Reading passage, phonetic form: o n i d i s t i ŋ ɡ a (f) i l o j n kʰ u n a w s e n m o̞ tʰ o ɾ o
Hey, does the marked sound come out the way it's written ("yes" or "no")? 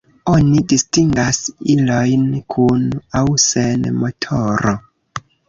no